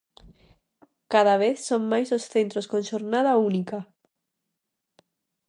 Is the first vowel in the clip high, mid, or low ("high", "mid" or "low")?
low